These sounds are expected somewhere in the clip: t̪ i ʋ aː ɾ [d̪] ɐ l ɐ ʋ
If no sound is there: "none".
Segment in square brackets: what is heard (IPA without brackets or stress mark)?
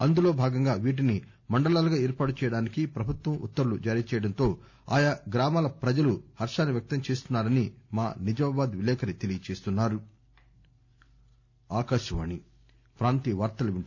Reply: t̪